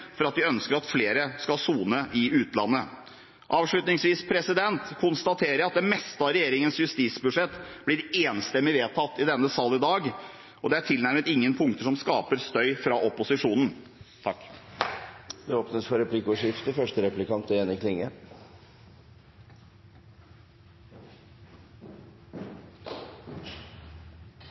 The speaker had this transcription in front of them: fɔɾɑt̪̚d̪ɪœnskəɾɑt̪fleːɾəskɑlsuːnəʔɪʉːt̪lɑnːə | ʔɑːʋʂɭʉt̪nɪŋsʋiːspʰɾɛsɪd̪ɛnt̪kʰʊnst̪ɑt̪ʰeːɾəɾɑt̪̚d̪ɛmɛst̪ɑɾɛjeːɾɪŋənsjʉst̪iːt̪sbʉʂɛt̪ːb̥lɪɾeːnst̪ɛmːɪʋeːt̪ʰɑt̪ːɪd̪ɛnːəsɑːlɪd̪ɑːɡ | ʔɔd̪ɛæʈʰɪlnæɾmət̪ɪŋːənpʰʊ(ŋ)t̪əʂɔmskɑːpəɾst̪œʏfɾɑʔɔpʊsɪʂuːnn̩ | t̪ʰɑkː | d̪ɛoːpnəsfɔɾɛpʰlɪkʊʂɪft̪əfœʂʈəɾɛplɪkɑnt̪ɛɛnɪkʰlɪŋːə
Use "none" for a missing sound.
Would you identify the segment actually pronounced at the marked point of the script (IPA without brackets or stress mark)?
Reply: ŋ